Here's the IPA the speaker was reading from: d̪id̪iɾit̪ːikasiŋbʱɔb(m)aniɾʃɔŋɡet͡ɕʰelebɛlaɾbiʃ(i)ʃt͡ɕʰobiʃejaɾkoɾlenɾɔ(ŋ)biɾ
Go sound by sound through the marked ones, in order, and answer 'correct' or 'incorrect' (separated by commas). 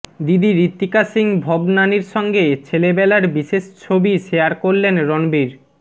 incorrect, incorrect, incorrect